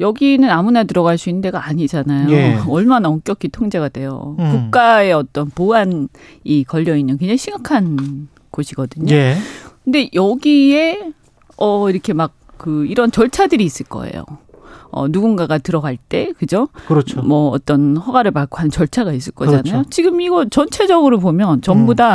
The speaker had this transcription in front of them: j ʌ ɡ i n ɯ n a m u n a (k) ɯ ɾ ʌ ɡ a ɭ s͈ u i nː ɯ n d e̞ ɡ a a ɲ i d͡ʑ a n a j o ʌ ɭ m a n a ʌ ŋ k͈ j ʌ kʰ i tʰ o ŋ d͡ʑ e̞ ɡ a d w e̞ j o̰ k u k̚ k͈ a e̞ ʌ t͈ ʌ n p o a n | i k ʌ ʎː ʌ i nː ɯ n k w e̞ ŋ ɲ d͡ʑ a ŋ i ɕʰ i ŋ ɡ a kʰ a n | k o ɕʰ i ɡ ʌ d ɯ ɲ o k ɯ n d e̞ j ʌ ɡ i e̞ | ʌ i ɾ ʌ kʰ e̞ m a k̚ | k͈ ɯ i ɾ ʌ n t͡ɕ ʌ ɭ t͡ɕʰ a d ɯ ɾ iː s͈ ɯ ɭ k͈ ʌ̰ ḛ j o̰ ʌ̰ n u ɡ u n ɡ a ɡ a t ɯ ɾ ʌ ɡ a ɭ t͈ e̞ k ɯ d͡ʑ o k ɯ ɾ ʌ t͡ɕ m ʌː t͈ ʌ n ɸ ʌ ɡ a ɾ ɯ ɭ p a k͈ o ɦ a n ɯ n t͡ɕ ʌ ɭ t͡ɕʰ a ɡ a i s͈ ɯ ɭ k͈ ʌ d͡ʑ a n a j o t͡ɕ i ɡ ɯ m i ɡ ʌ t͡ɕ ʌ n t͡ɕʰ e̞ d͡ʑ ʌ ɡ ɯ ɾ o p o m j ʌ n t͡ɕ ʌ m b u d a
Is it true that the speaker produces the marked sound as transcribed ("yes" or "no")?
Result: no